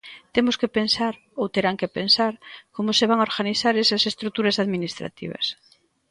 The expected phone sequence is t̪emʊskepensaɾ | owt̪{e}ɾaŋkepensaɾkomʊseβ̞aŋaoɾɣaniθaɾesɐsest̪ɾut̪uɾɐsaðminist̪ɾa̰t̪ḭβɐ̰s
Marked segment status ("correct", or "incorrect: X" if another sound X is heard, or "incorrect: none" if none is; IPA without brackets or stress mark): correct